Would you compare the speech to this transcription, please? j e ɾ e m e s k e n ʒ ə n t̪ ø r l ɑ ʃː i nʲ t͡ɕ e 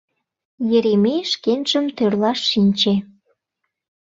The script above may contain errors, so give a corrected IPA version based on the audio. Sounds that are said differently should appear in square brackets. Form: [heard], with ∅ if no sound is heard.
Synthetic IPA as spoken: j e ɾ e m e [ʃ] k e n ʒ ə [m] t̪ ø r l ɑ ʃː i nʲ t͡ɕ e